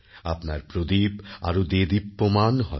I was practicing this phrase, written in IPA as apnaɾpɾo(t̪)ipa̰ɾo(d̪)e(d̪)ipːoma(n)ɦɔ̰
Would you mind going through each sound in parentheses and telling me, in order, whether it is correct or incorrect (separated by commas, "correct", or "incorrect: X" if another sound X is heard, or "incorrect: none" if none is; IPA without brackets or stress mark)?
incorrect: d̪, correct, correct, correct